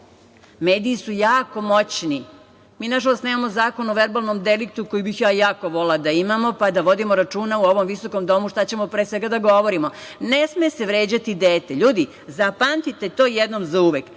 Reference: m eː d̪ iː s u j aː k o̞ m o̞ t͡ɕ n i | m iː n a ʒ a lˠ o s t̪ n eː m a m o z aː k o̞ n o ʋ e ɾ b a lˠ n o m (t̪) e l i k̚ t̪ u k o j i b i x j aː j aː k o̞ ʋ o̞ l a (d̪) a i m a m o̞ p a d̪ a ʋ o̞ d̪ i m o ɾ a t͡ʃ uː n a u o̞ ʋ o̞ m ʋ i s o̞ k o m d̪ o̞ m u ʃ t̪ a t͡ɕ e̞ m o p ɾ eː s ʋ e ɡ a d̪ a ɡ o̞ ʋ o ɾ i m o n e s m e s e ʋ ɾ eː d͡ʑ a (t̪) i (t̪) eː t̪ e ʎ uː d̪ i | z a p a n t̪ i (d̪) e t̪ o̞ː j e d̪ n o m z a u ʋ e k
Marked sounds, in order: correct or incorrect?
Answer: incorrect: d̪, correct, correct, incorrect: d̪, incorrect: t̪

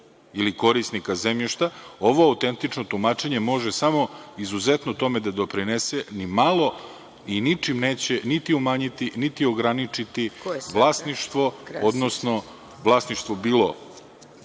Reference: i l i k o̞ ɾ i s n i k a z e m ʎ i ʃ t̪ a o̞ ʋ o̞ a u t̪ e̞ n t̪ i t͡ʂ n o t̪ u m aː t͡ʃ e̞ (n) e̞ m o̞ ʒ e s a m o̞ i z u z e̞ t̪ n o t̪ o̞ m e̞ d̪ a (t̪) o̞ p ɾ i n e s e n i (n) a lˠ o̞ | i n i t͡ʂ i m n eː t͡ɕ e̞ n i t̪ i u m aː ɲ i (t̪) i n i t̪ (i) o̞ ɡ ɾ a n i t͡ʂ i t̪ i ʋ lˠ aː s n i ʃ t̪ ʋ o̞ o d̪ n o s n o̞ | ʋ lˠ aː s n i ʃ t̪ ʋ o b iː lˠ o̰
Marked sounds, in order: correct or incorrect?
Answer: incorrect: ɲ, incorrect: d̪, incorrect: m, correct, correct

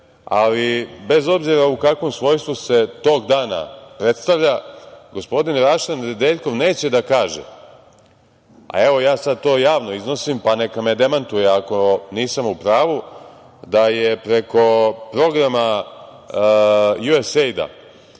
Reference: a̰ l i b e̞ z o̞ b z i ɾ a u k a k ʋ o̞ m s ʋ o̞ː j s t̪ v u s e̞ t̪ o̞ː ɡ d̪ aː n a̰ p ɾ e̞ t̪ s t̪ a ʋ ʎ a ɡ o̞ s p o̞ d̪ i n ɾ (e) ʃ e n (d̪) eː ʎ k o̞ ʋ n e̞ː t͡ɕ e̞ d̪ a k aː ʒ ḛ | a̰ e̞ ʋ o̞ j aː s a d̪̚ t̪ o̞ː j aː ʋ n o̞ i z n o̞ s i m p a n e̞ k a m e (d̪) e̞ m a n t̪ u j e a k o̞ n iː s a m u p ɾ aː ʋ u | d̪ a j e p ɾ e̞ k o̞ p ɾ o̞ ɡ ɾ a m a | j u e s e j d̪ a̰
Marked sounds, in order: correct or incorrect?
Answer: incorrect: a, correct, correct

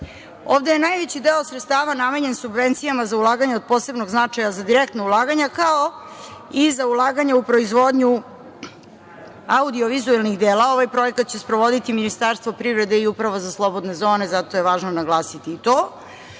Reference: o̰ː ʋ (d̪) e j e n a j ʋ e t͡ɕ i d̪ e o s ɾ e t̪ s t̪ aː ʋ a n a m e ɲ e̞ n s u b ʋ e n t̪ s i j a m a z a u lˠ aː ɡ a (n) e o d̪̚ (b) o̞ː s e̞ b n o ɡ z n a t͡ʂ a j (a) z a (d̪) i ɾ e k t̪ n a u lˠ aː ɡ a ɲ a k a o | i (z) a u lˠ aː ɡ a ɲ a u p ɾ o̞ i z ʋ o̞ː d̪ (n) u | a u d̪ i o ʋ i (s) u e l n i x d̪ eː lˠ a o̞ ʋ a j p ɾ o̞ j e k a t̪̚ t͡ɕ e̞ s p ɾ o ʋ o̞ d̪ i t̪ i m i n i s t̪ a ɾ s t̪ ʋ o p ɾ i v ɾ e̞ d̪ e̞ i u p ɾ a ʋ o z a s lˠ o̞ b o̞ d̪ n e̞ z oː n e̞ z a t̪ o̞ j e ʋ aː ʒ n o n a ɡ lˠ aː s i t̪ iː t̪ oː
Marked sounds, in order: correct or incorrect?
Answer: correct, incorrect: ɲ, incorrect: p, correct, correct, correct, incorrect: ɲ, incorrect: z

